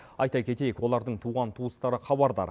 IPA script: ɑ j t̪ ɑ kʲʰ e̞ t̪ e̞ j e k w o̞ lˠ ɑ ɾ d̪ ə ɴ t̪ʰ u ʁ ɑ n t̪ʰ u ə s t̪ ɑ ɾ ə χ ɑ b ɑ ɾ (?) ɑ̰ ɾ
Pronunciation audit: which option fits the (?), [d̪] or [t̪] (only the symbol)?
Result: d̪